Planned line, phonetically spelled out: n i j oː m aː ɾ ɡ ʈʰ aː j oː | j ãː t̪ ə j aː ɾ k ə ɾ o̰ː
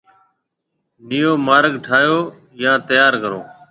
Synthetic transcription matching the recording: n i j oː m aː ɾ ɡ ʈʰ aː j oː | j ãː t̪ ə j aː ɾ k ə ɾ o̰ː